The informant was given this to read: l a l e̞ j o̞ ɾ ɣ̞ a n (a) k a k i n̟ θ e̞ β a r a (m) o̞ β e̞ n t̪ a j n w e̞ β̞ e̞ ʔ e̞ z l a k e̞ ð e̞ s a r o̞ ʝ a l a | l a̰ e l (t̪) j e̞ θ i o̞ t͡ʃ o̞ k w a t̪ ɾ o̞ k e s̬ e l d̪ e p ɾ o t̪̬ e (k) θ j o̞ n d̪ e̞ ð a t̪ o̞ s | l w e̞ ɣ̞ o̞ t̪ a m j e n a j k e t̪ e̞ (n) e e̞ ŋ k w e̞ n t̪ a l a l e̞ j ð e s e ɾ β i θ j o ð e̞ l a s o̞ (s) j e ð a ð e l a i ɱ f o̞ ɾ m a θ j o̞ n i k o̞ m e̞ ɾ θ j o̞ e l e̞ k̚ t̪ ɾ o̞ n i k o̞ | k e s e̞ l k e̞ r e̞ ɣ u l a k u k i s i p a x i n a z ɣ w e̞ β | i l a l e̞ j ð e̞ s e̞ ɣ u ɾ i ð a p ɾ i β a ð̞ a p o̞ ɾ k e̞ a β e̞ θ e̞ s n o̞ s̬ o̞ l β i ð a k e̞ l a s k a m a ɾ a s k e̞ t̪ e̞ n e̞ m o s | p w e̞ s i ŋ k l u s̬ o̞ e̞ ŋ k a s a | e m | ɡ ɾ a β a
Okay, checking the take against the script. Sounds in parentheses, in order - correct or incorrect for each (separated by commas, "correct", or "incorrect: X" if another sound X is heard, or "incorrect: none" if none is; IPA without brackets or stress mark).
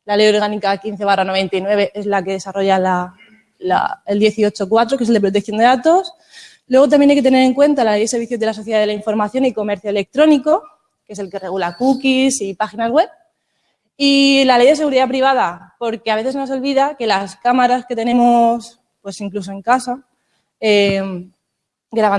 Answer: incorrect: i, incorrect: n, incorrect: d̪, correct, correct, incorrect: θ